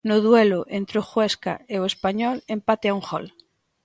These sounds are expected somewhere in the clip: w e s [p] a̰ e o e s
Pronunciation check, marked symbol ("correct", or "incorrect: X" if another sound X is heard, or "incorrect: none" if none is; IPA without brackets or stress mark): incorrect: k